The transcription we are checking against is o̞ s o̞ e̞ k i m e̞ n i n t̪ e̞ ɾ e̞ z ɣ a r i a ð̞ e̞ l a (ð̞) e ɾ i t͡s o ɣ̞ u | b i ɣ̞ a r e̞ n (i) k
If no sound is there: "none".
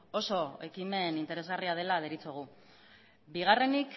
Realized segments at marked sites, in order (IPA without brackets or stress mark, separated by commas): ð̞, i